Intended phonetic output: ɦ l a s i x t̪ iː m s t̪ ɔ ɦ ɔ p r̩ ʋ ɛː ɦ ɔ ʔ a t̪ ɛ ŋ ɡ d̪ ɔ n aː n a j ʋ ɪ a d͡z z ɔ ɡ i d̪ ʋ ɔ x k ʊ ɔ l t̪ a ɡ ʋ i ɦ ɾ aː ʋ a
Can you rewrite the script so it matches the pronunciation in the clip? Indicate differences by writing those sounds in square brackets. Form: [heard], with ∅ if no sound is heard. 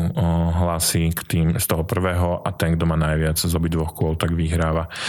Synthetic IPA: ɦ l a s i [k] t̪ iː m s t̪ ɔ ɦ ɔ p r̩ ʋ ɛː ɦ ɔ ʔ a t̪ ɛ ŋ ɡ d̪ ɔ [m] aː n a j ʋ ɪ a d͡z z ɔ [b] i d̪ ʋ ɔ x k ʊ ɔ l t̪ a ɡ ʋ i ɦ ɾ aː ʋ a